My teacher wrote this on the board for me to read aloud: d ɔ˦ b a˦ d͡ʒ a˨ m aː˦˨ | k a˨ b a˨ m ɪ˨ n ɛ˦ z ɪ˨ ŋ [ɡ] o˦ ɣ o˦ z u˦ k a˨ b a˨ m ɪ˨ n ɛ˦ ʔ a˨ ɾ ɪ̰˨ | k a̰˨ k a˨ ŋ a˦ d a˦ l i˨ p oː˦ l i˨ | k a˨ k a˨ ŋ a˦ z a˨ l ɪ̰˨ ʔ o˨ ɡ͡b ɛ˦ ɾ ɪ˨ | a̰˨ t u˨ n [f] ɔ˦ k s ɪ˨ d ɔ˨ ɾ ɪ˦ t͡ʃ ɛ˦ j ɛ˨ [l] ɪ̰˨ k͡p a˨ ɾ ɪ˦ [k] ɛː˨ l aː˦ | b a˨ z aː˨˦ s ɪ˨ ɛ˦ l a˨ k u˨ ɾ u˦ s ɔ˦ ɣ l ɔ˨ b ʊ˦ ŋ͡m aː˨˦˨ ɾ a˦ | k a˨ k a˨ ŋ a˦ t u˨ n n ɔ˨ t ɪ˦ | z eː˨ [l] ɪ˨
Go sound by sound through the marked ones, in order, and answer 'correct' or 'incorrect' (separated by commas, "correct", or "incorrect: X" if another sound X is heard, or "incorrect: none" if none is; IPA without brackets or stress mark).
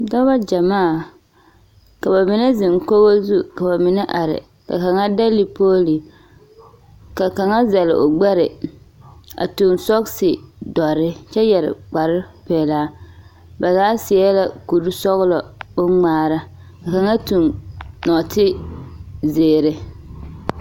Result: incorrect: k, incorrect: s, incorrect: ɾ, incorrect: p, incorrect: ɾ